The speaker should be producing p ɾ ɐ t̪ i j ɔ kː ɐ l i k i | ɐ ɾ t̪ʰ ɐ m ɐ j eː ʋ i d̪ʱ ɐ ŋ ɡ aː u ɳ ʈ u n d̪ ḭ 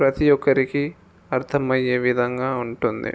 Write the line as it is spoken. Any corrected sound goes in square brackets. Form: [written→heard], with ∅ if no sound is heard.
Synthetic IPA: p ɾ ɐ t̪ i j ɔ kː ɐ [l→ɾ] i k i | ɐ ɾ t̪ʰ ɐ m ɐ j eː ʋ i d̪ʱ ɐ ŋ ɡ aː u ɳ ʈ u n d̪ ḭ